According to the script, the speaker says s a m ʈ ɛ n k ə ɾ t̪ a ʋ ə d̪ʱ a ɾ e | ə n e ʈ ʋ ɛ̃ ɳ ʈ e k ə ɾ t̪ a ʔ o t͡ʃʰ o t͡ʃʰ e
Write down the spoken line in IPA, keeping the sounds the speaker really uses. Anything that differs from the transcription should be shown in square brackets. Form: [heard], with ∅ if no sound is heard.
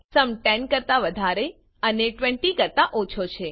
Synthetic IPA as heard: s [ə] m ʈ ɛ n k ə ɾ t̪ a ʋ ə d̪ʱ a ɾ e | ə n e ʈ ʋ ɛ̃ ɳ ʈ [i] k ə ɾ t̪ a ʔ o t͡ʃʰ o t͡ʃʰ e